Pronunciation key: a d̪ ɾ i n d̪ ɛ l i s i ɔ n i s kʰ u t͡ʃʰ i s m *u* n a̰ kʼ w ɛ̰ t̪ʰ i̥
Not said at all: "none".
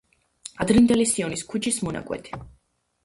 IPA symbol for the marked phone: ɔ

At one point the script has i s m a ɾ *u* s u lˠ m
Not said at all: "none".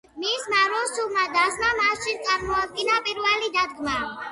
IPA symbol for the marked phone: ɔ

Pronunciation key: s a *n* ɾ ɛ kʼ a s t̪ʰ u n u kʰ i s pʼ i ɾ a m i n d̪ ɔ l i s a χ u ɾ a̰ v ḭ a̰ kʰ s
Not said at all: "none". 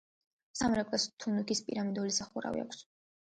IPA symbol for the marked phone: m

